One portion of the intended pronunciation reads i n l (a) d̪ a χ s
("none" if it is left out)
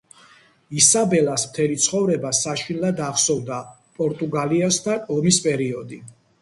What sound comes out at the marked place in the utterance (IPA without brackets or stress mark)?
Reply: a